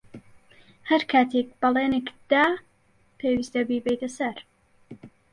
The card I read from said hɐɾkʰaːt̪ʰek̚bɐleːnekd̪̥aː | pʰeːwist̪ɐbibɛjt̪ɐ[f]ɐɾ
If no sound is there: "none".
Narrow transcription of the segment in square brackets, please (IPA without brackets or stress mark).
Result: s